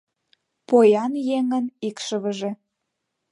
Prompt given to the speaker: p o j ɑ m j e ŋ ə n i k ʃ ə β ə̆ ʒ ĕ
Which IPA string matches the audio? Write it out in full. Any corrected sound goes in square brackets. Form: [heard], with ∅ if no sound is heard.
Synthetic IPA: p o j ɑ [n] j e ŋ ə n i k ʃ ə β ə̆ ʒ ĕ